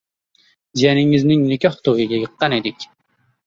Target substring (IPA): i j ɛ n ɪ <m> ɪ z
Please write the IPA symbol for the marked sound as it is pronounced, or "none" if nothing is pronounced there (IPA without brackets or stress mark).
ŋ